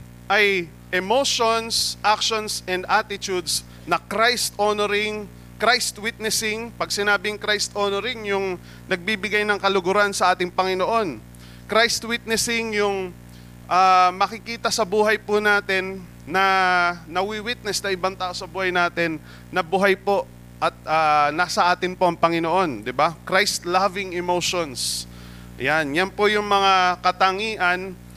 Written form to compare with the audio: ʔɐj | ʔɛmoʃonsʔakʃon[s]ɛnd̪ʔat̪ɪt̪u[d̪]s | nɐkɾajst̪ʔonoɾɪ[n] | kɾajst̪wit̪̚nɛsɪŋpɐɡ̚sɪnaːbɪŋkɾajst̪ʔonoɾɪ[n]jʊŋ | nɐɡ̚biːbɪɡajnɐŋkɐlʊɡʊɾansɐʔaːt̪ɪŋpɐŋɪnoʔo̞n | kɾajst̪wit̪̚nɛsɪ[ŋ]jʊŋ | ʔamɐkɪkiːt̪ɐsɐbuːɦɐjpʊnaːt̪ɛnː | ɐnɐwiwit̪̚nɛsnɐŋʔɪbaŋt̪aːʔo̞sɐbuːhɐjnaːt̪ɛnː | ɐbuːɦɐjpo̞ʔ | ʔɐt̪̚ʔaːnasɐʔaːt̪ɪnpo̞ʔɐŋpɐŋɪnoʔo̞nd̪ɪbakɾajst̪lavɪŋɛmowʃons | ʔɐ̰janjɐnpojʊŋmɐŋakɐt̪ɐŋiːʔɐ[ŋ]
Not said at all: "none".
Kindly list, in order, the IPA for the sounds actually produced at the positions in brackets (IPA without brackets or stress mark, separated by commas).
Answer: s, d̪, ŋ, ŋ, ŋ, n